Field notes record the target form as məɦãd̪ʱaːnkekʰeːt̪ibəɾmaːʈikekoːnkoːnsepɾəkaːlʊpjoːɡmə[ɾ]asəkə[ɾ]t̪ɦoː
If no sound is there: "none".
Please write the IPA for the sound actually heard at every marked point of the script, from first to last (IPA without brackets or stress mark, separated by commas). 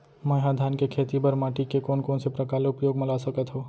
l, none